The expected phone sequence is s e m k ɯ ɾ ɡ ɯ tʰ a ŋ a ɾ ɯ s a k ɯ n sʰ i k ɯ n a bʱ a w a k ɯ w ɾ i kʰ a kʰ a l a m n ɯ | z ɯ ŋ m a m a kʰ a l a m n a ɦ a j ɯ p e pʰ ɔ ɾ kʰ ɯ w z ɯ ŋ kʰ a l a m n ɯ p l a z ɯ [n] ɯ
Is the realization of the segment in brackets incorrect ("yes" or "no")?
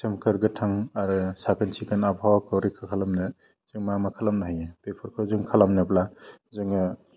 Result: yes